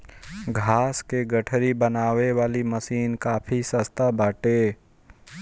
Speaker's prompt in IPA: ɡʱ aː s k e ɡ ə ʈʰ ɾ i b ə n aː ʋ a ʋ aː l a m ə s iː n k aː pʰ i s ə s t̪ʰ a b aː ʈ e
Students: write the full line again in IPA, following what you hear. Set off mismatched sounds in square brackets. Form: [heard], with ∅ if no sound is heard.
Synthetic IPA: ɡʱ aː s k e ɡ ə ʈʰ ɾ i b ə n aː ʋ [e] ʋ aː l [i] m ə s iː n k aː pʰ i s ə s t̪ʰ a b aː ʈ e